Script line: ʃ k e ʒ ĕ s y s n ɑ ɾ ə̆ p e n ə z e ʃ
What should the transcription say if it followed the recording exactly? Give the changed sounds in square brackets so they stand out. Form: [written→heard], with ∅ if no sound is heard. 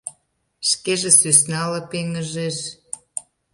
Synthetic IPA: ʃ k e ʒ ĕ s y s n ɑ [ɾ→l] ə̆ p e [n→ŋ] ə [z→ʒ] e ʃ